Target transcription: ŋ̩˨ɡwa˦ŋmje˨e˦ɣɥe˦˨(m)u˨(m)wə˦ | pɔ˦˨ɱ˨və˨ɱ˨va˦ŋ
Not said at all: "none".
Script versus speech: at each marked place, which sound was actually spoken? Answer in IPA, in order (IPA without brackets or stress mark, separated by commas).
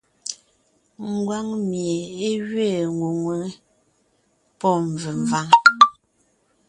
ŋ, ŋ